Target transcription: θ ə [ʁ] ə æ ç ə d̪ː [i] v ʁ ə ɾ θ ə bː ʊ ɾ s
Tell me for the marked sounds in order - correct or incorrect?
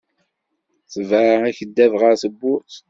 incorrect: v, incorrect: æ

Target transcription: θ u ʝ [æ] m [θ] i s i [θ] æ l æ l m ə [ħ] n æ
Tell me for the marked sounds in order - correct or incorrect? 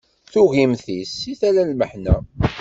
incorrect: i, correct, correct, correct

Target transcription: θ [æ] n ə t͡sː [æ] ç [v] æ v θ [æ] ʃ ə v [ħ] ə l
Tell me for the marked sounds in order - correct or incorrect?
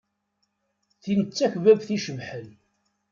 incorrect: i, correct, correct, incorrect: i, correct

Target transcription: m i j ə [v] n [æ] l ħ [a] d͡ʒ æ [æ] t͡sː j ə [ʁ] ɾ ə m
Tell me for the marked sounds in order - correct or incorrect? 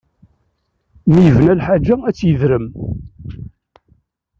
correct, correct, correct, correct, incorrect: ð

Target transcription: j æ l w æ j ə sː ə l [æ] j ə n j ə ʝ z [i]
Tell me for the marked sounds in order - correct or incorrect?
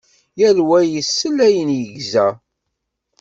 correct, incorrect: æ

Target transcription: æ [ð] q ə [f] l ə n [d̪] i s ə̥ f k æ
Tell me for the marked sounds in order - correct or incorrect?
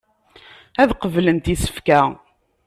correct, incorrect: v, incorrect: t̪

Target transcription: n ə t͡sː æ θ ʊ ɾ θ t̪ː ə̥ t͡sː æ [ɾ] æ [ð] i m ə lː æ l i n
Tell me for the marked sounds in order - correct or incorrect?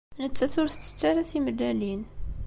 correct, incorrect: θ

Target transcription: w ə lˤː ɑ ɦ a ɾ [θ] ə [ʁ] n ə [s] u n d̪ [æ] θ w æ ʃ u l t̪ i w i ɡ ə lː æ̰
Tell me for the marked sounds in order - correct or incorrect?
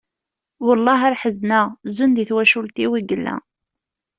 incorrect: ħ, incorrect: z, incorrect: z, incorrect: i

